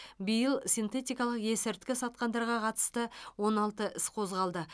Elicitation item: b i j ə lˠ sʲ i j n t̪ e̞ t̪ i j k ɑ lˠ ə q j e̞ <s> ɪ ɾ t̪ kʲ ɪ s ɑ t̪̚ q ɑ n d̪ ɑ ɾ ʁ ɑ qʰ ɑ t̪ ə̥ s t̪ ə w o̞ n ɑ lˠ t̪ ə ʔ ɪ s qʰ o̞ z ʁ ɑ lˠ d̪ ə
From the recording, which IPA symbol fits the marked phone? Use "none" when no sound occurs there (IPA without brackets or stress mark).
s